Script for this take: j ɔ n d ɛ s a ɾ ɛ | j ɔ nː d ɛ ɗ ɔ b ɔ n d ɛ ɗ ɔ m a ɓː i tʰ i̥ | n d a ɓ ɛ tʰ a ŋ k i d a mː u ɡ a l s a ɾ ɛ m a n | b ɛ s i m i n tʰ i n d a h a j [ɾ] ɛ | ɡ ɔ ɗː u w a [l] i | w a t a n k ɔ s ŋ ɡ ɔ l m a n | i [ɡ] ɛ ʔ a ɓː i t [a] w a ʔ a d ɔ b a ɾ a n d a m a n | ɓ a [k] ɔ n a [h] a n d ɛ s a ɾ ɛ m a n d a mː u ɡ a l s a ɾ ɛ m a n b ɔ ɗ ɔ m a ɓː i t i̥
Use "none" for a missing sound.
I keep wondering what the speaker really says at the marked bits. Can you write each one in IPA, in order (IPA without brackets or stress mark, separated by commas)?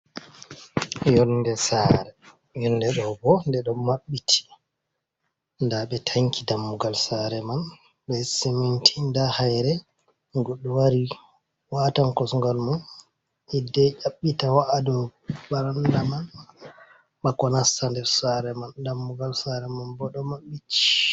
ɾ, ɾ, d, a, k, s